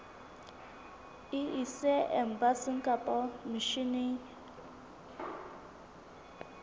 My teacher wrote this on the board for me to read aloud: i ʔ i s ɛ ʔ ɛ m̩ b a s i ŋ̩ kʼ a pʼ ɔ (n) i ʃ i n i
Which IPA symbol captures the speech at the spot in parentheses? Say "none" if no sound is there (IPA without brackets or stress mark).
m